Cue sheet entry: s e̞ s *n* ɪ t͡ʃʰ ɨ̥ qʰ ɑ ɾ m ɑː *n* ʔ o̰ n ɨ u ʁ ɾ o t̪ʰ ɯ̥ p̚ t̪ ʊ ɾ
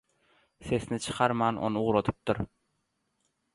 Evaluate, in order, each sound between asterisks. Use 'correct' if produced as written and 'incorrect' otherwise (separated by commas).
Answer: correct, correct